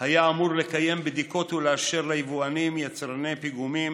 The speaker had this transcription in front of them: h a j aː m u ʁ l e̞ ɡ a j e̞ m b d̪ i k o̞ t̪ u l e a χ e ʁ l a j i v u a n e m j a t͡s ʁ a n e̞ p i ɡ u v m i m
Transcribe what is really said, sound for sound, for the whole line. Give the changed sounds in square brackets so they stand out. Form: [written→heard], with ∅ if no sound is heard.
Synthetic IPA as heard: h a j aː m u ʁ l e̞ [ɡ→k] a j e̞ m b d̪ i k o̞ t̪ u l e a [χ→ʃ] e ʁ l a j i v u a n [e→i] m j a t͡s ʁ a n e̞ p i ɡ u [v→∅] m i m